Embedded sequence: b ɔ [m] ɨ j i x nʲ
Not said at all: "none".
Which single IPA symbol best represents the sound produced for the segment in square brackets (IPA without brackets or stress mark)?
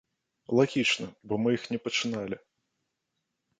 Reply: m